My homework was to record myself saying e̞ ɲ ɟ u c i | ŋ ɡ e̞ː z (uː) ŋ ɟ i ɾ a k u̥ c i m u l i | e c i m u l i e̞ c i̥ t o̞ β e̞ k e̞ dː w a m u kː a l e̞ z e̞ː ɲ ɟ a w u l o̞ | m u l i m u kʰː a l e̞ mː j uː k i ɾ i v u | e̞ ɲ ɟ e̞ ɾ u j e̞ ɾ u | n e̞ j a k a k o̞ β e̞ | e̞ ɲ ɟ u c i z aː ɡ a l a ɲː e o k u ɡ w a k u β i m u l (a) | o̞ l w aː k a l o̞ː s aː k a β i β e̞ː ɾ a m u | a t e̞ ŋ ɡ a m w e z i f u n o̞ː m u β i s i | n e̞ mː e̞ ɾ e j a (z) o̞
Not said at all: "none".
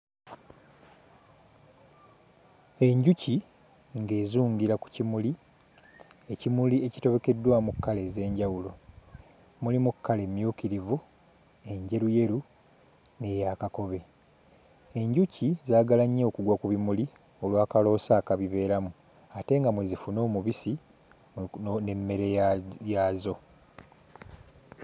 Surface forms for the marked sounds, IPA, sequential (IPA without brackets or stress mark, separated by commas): uː, i, z